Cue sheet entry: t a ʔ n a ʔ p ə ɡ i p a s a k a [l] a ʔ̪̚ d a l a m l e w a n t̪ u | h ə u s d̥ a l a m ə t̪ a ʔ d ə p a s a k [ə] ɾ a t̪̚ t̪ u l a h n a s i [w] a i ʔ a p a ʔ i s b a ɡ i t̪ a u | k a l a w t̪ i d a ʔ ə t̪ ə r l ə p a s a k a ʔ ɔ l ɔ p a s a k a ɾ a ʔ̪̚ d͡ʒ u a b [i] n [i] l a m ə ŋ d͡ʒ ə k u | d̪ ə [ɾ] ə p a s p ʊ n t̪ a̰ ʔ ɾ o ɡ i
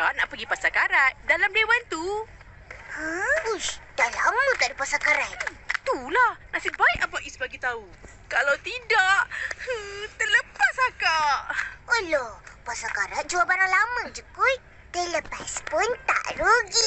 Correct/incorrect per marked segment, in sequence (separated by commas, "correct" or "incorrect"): incorrect, incorrect, incorrect, incorrect, incorrect, incorrect